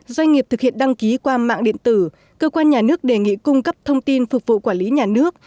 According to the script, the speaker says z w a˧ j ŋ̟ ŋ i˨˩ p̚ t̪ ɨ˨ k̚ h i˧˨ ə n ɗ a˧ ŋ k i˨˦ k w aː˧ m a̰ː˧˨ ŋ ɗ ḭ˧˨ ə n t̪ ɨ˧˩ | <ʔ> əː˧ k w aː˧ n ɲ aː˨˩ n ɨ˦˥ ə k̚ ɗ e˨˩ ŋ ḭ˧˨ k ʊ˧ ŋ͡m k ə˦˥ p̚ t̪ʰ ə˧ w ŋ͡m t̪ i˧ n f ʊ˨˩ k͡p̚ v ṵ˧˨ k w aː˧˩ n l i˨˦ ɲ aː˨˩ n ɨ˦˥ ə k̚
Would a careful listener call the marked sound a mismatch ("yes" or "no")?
yes